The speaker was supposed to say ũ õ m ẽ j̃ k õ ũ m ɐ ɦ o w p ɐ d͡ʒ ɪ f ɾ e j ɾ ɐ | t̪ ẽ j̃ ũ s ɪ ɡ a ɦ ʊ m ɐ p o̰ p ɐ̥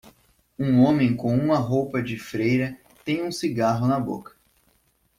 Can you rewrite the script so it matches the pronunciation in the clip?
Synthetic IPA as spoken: ũ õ m ẽ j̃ k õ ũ m ɐ ɦ o w p ɐ d͡ʒ ɪ f ɾ e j ɾ ɐ | t̪ ẽ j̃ ũ s i ɡ a ɦ ʊ n ɐ b o̰ k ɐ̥